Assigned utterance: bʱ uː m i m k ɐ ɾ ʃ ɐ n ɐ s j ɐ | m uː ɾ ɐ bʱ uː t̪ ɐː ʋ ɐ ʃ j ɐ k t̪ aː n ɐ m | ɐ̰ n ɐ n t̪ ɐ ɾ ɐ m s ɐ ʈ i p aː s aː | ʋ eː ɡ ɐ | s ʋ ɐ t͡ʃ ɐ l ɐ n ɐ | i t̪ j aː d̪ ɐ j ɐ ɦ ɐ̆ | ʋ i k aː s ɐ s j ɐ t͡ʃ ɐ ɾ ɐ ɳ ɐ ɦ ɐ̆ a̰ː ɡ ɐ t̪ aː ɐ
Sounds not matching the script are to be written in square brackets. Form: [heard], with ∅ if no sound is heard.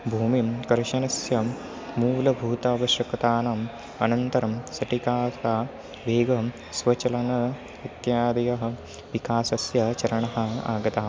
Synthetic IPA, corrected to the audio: bʱ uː m i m k ɐ ɾ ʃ ɐ n ɐ s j ɐ | m uː [l] ɐ bʱ uː t̪ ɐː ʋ ɐ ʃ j ɐ k t̪ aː n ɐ m | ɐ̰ n ɐ n t̪ ɐ ɾ ɐ m s ɐ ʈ i [k] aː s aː | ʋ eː ɡ ɐ | s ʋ ɐ t͡ʃ ɐ l ɐ n ɐ | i t̪ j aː d̪ ɐ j ɐ ɦ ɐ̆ | ʋ i k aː s ɐ s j ɐ t͡ʃ ɐ ɾ ɐ ɳ ɐ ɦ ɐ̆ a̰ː ɡ ɐ t̪ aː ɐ